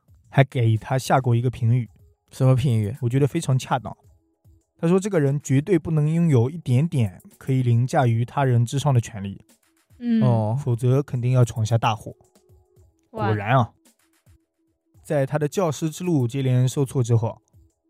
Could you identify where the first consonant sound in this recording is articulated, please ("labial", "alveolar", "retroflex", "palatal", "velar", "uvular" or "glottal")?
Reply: velar